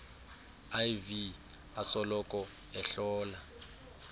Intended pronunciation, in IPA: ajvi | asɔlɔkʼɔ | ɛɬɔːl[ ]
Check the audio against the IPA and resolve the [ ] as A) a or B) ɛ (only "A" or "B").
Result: A